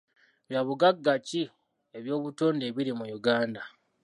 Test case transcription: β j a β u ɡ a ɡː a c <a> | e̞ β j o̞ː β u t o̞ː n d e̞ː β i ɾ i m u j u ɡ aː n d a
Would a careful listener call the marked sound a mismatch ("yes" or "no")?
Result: yes